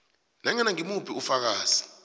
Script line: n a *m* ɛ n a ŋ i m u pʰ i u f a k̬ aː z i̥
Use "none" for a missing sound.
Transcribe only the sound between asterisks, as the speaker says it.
ŋ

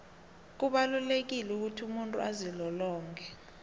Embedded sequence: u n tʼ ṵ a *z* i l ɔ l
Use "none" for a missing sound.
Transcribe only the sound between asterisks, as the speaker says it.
z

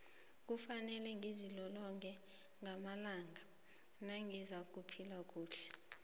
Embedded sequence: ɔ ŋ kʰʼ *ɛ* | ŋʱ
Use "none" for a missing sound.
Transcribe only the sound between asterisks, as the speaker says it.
ɛ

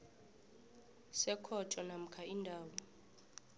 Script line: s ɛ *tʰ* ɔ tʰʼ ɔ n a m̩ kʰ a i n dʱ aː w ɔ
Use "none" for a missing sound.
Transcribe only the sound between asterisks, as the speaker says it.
kʰ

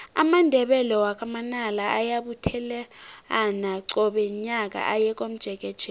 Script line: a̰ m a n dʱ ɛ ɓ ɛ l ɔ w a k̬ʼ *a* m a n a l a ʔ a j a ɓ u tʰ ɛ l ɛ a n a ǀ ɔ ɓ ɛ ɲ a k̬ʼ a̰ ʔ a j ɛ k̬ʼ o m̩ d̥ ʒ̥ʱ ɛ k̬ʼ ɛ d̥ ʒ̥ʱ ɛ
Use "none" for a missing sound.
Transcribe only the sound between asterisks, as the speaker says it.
a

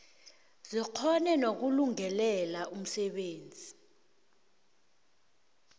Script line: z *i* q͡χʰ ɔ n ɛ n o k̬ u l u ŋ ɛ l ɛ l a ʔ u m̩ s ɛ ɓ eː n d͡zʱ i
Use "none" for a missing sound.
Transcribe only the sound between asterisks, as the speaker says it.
i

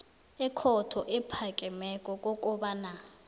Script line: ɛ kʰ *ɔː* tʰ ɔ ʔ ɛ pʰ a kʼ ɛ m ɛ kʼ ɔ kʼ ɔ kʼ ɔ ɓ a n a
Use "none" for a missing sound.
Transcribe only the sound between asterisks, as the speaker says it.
ɔ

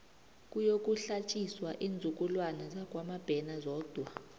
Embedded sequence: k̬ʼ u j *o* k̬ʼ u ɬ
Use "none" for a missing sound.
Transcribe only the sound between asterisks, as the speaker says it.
o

